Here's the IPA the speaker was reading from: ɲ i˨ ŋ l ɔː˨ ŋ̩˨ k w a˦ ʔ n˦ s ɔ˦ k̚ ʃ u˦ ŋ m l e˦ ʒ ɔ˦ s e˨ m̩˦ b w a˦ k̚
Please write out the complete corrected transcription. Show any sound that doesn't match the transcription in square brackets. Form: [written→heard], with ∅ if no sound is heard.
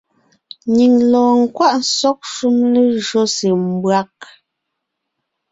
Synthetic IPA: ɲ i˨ ŋ l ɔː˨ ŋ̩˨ k w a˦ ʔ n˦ s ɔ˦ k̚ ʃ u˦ [ŋ→∅] m l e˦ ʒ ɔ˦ s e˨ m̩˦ b w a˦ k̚